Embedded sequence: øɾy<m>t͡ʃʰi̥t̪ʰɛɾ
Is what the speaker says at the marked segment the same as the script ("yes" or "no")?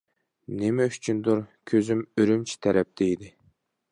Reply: yes